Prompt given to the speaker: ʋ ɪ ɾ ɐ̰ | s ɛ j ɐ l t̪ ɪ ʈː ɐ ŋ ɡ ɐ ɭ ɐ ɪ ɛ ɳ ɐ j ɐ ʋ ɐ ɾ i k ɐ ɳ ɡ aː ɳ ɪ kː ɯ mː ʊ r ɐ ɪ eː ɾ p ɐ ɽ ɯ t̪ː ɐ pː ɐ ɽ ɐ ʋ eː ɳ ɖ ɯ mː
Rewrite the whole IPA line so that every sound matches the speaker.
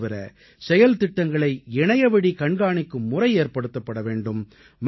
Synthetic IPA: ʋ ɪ ɾ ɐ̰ | s ɛ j ɐ l t̪ ɪ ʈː ɐ ŋ ɡ ɐ ɭ ɐ ɪ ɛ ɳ ɐ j ɐ ʋ ɐ ɽ i k ɐ ɳ ɡ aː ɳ ɪ kː ɯ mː ʊ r ɐ ɪ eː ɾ p ɐ ɽ ɯ t̪ː ɐ pː ɐ ɽ ɐ ʋ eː ɳ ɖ ɯ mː

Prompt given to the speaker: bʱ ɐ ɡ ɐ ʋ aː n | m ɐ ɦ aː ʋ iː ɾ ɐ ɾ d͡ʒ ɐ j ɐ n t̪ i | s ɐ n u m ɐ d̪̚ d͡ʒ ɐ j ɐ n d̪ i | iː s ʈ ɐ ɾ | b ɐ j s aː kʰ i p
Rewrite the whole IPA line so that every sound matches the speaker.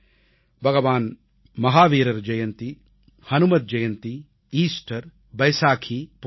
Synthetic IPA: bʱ ɐ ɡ ɐ ʋ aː n | m ɐ ɦ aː ʋ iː ɾ ɐ ɾ d͡ʒ ɐ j ɐ n t̪ i | h ɐ n u m ɐ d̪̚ d͡ʒ ɐ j ɐ n t̪ i | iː s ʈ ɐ ɾ | b ɐ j s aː kʰ i p

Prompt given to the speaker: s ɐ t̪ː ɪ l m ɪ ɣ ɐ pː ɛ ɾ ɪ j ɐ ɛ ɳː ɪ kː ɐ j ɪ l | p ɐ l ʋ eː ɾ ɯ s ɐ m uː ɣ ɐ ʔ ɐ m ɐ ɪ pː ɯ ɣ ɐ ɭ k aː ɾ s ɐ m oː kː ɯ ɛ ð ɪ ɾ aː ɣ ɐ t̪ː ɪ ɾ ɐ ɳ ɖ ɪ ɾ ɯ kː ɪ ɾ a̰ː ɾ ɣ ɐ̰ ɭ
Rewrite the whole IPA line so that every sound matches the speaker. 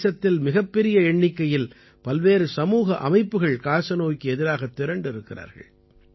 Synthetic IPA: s ɐ t̪ː ɪ l m ɪ ɣ ɐ pː ɛ ɾ ɪ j ɐ ɛ ɳː ɪ kː ɐ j ɪ l | p ɐ l ʋ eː ɾ ɯ s ɐ m uː ɣ ɐ ʔ ɐ m ɐ ɪ pː ɯ ɣ ɐ ɭ k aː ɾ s ɐ n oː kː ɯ ɛ ð ɪ ɾ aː ɣ ɐ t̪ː ɪ ɾ ɐ ɳ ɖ ɪ ɾ ɯ kː ɪ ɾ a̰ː ɾ ɣ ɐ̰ ɭ

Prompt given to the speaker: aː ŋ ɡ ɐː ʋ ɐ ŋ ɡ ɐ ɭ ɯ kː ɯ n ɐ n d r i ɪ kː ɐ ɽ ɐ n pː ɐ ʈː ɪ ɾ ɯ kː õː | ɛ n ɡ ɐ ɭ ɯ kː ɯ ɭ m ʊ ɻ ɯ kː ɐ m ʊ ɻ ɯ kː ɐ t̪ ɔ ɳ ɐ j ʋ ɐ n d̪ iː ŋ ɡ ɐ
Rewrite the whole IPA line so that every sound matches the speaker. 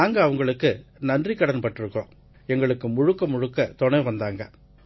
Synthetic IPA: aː ŋ ɡ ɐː ʋ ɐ ŋ ɡ ɐ ɭ ɯ kː ɯ n ɐ n d r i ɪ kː ɐ ɽ ɐ n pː ɐ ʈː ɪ ɾ ɯ kː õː | ɛ ŋ ɡ ɐ ɭ ɯ kː ɯ m ʊ ɻ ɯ kː ɐ m ʊ ɻ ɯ kː ɐ t̪ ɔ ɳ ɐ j ʋ ɐ n d̪ aː ŋ ɡ ɐ

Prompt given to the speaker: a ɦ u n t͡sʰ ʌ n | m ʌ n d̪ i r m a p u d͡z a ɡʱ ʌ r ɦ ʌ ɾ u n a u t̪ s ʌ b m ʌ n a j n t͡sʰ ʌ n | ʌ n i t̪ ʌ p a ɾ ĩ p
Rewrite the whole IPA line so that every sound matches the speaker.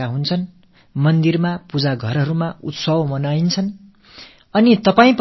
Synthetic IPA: a ɦ u n t͡sʰ ʌ n | m ʌ n d̪ i r m a p u d͡z a ɡʱ ʌ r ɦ ʌ ɾ u m a u t̪ s ʌ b m ʌ n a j n t͡sʰ ʌ n | ʌ n i t̪ ʌ p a ĩ p

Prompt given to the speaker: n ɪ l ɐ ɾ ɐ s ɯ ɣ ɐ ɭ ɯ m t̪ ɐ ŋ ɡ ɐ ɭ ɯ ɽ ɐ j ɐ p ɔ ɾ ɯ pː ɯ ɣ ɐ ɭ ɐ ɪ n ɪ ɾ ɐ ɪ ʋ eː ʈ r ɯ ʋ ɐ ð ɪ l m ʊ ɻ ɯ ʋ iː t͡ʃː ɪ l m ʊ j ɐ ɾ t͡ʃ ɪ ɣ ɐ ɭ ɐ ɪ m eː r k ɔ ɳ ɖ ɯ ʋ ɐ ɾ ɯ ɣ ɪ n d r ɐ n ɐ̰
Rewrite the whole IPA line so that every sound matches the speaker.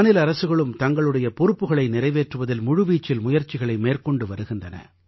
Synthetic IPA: n ɪ l ɐ ɾ ɐ s ɯ ɣ ɐ ɭ ɯ m t̪ ɐ ŋ ɡ ɐ ɭ ɯ ɽ ɐ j ɐ p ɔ ɾ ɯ pː ɯ ɣ ɐ ɭ ɐ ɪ n ɪ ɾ ɐ ɪ ʋ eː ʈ r ɯ ʋ ɐ ð ɪ l m ʊ ɻ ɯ ʋ iː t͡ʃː ɪ l m ʊ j ɐ ɾ t͡ʃ ɪ ɣ ɐ ɭ ɐ ɪ m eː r k ɔ ɳ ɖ ɯ ʋ ɐ ɾ ɯ ɣ ɪ n d r ɐ n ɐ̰

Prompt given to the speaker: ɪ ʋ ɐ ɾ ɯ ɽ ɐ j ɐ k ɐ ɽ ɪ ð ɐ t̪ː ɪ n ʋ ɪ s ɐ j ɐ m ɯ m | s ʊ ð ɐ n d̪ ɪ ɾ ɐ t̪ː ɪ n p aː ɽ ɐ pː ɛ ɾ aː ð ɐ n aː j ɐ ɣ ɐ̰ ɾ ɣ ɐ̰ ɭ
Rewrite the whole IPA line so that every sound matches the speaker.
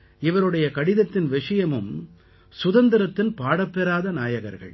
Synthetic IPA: ɪ ʋ ɐ ɾ ɯ ɽ ɐ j ɐ k ɐ ɽ ɪ ð ɐ t̪ː ɪ n ʋ ɪ ʂ ɐ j ɐ m ɯ m | s ʊ ð ɐ n d̪ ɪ ɾ ɐ t̪ː ɪ n p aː ɽ ɐ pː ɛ ɾ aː ð ɐ n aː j ɐ ɣ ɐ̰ ɾ ɣ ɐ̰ ɭ

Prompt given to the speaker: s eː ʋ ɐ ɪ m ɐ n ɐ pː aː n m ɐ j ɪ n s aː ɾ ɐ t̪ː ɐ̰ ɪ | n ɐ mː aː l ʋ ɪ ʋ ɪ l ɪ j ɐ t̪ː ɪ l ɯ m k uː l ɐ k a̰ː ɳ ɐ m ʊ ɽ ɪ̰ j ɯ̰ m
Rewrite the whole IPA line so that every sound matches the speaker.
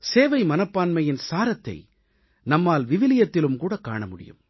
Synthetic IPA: s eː ʋ ɐ ɪ m ɐ n ɐ pː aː n m ɐ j ɪ n s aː ɾ ɐ t̪ː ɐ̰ ɪ | n ɐ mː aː l ʋ ɪ ʋ ɪ l ɪ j ɐ t̪ː ɪ l ɯ m k uː ɽ ɐ k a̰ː ɳ ɐ m ʊ ɽ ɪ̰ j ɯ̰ m

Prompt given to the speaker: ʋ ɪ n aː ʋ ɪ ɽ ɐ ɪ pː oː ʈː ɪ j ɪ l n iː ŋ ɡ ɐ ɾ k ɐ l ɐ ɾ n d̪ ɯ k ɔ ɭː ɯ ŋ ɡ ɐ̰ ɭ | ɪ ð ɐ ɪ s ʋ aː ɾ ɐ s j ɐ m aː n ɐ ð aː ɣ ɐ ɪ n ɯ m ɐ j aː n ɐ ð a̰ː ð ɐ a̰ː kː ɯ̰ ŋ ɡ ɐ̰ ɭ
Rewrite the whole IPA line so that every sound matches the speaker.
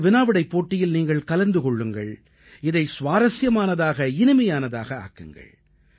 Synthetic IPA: ʋ ɪ n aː ʋ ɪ ɽ ɐ ɪ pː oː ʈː ɪ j ɪ l n iː ŋ ɡ ɐ ɭ k ɐ l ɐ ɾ n d̪ ɯ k ɔ ɭː ɯ ŋ ɡ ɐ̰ ɭ | ɪ ð ɐ ɪ s ʋ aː ɾ ɐ s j ɐ m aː n ɐ ð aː ɣ ɐ ɪ n ɯ m ɐ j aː n ɐ ð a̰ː ɣ ɐ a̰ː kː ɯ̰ ŋ ɡ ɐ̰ ɭ

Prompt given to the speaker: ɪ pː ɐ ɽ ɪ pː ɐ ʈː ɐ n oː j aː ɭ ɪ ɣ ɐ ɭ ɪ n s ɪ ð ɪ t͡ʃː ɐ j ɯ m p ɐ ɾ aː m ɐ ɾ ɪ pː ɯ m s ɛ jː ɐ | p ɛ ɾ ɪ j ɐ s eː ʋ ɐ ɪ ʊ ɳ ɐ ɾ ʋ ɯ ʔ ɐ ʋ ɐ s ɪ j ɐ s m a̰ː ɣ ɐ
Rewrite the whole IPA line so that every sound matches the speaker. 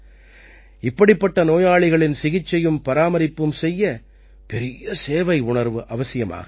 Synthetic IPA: ɪ pː ɐ ɽ ɪ pː ɐ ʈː ɐ n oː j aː ɭ ɪ ɣ ɐ ɭ ɪ n s ɪ ɣ ɪ t͡ʃː ɐ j ɯ m p ɐ ɾ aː m ɐ ɾ ɪ pː ɯ m s ɛ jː ɐ | p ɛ ɾ ɪ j ɐ s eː ʋ ɐ ɪ ʊ ɳ ɐ ɾ ʋ ɯ ʔ ɐ ʋ ɐ s ɪ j ɐ m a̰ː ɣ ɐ

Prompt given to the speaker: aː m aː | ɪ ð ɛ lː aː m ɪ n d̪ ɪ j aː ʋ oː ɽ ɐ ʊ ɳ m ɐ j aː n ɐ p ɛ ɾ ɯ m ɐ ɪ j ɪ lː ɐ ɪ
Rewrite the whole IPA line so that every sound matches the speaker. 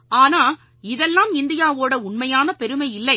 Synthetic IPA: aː n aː | ɪ ð ɛ lː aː m ɪ n d̪ ɪ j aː ʋ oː ɽ ɐ ʊ ɳ m ɐ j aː n ɐ p ɛ ɾ ɯ m ɐ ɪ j ɪ lː ɐ ɪ

